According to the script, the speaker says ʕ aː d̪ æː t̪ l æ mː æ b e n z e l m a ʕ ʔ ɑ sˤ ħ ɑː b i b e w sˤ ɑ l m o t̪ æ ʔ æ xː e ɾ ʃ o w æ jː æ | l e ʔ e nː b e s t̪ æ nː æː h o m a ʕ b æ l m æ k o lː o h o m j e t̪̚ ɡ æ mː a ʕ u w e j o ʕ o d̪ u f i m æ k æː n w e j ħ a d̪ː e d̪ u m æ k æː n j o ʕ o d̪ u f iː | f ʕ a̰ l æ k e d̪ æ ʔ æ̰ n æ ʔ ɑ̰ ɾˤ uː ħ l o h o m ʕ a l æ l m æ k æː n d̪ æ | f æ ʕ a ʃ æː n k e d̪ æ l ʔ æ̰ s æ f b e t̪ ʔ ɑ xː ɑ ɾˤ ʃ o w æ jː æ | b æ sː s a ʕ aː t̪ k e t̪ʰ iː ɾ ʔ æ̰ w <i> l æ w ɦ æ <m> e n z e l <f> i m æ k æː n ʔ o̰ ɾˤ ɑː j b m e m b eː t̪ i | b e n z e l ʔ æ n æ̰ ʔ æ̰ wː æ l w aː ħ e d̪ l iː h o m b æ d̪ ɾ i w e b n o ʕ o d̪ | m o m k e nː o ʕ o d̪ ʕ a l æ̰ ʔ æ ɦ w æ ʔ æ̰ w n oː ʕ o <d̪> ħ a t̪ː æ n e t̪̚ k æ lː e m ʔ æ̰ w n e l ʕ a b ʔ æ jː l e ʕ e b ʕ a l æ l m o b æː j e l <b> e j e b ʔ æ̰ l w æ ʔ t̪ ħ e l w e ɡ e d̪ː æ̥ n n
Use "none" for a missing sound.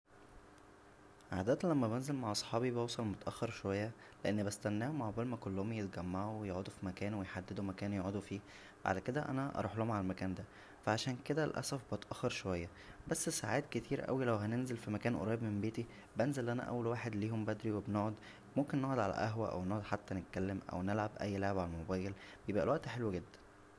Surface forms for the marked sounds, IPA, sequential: i, n, f, d̪, b

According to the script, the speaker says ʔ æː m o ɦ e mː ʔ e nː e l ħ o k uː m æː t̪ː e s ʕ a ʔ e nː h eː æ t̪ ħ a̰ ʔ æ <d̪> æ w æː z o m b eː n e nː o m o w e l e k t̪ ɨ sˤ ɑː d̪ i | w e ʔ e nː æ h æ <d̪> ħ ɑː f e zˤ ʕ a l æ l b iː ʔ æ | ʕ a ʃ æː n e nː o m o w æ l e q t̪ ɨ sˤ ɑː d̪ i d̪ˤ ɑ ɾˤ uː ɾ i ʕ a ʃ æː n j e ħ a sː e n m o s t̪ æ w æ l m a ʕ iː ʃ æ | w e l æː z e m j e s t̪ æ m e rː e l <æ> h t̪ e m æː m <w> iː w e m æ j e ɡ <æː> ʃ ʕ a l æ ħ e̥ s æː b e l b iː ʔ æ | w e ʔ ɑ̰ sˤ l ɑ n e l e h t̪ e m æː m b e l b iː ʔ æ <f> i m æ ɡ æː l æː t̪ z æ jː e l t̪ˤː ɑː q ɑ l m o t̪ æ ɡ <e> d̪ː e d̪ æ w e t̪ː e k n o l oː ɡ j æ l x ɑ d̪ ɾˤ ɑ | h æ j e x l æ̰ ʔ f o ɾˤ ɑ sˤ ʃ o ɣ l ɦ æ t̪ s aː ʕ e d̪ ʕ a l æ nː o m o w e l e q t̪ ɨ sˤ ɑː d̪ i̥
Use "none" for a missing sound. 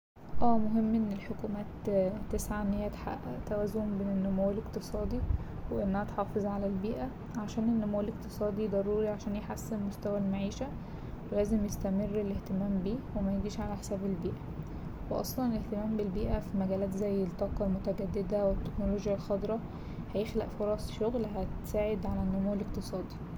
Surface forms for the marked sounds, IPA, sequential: t̪, t̪, e, b, iː, f, æ

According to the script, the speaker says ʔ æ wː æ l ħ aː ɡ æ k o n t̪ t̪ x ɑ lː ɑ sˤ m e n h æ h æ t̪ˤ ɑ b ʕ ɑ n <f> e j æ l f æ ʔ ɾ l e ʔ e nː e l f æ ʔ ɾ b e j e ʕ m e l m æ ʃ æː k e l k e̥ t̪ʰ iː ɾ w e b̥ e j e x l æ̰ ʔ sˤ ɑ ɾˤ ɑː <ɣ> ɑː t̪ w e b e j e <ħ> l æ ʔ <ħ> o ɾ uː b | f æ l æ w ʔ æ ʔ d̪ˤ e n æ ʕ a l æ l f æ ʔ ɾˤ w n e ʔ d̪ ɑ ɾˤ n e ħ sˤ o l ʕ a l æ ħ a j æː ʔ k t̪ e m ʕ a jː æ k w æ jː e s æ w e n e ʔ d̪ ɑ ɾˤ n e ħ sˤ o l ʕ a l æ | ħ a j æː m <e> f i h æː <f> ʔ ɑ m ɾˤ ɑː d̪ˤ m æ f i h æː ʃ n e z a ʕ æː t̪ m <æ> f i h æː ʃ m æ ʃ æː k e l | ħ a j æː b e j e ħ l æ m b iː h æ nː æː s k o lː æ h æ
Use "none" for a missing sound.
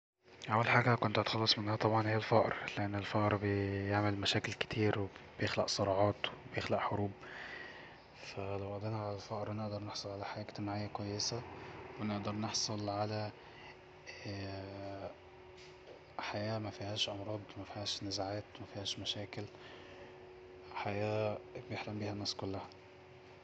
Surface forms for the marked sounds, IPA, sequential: h, ʕ, x, ħ, æ, ʃ, æ

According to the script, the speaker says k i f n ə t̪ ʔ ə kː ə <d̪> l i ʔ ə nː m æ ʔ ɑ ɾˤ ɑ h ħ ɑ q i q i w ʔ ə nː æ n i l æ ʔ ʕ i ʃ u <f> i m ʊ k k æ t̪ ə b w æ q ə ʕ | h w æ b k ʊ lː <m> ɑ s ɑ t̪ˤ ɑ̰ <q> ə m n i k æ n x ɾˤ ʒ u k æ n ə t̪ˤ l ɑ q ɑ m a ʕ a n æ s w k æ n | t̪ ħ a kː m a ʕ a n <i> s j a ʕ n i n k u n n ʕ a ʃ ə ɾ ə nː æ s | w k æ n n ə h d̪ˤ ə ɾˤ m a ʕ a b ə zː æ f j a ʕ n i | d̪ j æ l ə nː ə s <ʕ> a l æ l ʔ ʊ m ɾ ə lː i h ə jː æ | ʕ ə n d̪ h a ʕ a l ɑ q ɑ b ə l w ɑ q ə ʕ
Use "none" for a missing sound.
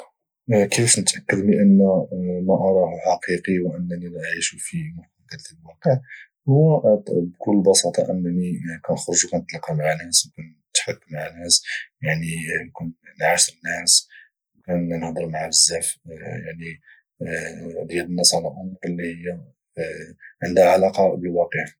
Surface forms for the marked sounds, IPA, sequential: d̪, f, b, ʔ, æ, ʕ

